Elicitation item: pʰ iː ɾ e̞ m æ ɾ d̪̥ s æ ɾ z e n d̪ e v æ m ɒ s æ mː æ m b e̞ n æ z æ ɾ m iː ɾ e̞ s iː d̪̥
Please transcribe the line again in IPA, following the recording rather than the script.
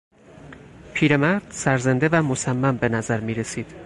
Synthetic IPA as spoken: pʰ iː ɾ e̞ m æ ɾ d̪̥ s æ ɾ z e n d̪ e v æ m o s æ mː æ m b e̞ n æ z æ ɾ m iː ɾ e̞ s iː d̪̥